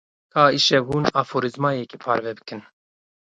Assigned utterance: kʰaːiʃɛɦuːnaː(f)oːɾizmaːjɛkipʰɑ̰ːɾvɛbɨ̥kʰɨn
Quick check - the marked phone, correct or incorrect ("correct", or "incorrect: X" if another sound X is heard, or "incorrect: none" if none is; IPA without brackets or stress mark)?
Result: correct